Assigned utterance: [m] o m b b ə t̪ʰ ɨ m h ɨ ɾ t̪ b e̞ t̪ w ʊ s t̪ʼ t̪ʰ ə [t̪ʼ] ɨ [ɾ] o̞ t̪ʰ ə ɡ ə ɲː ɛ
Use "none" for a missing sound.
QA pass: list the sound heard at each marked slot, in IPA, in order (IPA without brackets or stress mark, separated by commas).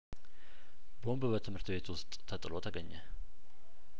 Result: b, t̪ʼ, l